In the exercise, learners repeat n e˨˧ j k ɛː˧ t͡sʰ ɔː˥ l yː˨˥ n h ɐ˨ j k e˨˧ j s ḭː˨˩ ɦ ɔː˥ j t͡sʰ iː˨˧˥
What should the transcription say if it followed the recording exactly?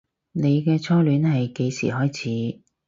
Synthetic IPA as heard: n e˨˧ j k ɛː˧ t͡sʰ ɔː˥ l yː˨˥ n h ɐ˨ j k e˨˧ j s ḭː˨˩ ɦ ɔː˥ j t͡sʰ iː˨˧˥